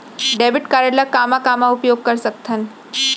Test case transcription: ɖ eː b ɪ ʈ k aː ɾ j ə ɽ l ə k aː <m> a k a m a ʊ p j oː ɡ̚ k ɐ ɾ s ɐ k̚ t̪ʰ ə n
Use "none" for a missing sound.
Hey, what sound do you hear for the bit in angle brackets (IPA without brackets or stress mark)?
m